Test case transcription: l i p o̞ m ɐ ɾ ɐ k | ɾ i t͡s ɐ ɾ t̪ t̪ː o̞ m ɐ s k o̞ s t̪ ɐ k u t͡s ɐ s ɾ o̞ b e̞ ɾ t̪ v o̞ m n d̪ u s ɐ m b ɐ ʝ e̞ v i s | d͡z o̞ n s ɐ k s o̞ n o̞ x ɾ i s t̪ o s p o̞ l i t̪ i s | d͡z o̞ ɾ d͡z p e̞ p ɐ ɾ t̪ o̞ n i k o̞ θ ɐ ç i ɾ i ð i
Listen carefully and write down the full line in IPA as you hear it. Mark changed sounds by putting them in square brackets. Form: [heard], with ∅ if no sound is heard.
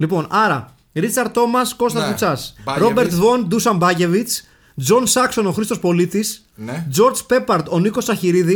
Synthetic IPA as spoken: l i p o̞ [n] ɐ ɾ ɐ [∅] | ɾ i t͡s ɐ ɾ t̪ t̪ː o̞ m ɐ s k o̞ s t̪ ɐ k u t͡s ɐ s ɾ o̞ b e̞ ɾ t̪ v o̞ [∅] n d̪ u s ɐ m b ɐ ʝ e̞ v i [t͡s] | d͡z o̞ n s ɐ k s o̞ n o̞ x ɾ i s t̪ o s p o̞ l i t̪ i s | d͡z o̞ ɾ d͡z p e̞ p ɐ ɾ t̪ o̞ n i k o̞ [s] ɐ ç i ɾ i ð i